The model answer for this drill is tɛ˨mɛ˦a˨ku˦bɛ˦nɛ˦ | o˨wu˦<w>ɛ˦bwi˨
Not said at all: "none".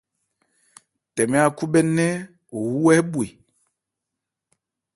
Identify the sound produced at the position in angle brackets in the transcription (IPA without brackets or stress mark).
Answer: w